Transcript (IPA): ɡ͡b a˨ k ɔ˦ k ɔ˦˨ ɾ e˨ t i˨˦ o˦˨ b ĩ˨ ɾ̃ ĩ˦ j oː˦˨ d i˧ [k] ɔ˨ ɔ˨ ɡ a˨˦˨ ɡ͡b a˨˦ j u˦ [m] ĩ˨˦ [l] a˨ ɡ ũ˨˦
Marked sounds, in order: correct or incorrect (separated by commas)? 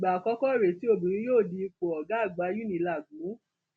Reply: incorrect, incorrect, correct